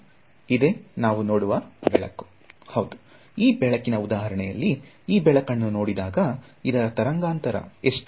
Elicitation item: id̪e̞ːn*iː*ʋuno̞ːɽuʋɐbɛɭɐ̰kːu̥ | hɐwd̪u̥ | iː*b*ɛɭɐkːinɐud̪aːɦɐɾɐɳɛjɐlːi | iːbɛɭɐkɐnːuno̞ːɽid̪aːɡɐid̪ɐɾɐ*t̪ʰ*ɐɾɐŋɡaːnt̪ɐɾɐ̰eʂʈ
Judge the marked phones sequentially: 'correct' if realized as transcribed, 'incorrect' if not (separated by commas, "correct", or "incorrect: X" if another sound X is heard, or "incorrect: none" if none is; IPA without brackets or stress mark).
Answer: incorrect: aː, correct, incorrect: t̪